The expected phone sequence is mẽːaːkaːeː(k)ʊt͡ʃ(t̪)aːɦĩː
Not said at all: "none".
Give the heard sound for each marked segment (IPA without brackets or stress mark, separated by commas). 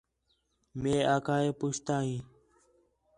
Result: p, t̪